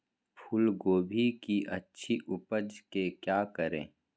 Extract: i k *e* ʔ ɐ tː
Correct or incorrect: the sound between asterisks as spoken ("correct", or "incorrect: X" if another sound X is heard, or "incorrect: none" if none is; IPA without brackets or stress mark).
incorrect: i